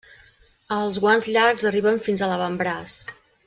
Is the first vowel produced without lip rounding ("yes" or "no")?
yes